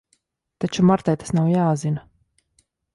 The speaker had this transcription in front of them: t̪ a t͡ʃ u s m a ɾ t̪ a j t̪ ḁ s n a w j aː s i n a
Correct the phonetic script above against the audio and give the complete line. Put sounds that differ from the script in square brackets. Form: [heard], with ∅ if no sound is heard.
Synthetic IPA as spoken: t̪ a t͡ʃ u [∅] m a ɾ t̪ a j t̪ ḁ s n a w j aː [z] i n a